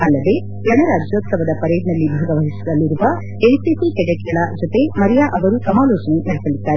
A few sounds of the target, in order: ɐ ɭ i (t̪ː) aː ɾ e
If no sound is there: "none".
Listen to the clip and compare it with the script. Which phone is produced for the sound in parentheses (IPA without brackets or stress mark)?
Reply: d̪ː